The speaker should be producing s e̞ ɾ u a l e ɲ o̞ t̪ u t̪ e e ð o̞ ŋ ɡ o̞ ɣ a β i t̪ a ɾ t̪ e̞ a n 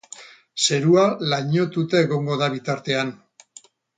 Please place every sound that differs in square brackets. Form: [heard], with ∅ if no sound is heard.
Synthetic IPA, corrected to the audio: s e̞ ɾ u a l [a] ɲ o̞ t̪ u t̪ e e [ɣ] o̞ ŋ ɡ o̞ [ð] a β i t̪ a ɾ t̪ e̞ a n

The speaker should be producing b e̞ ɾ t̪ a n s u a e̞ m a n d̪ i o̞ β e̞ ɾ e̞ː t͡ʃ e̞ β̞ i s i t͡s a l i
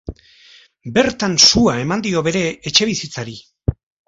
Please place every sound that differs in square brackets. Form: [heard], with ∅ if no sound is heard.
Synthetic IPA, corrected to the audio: b e̞ ɾ t̪ a n s u a e̞ m a n d̪ i o̞ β e̞ ɾ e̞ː t͡ʃ e̞ β̞ i s i t͡s a [ɾ] i

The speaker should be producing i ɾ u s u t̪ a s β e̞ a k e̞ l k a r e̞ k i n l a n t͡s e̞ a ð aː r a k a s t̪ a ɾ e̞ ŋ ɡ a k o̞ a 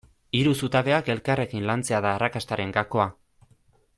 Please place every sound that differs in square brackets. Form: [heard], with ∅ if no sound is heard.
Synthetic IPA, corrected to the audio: i ɾ u s u t̪ a [∅] β e̞ a k e̞ l k a r e̞ k i n l a n t͡s e̞ a ð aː r a k a s t̪ a ɾ e̞ ŋ ɡ a k o̞ a

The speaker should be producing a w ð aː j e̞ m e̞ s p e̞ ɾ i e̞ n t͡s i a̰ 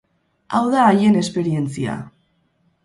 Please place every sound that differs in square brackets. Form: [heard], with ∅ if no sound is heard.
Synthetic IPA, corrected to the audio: a w ð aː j e̞ [n] e̞ s p e̞ ɾ i e̞ n t͡s i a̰

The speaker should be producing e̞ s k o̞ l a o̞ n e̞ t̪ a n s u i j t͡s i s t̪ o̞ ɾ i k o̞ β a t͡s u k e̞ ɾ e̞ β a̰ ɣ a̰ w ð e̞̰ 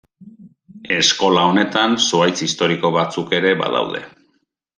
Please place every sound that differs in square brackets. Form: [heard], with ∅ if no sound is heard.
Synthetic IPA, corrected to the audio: e̞ s k o̞ l a o̞ n e̞ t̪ a n s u [a] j t͡s i s t̪ o̞ ɾ i k o̞ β a t͡s u k e̞ ɾ e̞ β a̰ [ð] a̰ w ð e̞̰

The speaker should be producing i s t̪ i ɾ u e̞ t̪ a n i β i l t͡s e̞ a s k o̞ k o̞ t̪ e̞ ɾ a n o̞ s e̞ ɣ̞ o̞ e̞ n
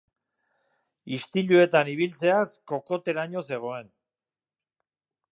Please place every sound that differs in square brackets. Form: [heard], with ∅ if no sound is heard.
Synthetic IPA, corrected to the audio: i s t̪ i [ʎ] u e̞ t̪ a n i β i l t͡s e̞ a s k o̞ k o̞ t̪ e̞ ɾ a [ɲ] o̞ s e̞ ɣ̞ o̞ e̞ n

